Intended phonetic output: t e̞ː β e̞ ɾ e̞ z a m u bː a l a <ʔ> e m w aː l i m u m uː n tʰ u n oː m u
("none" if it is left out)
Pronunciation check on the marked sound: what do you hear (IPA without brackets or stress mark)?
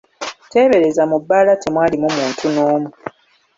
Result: t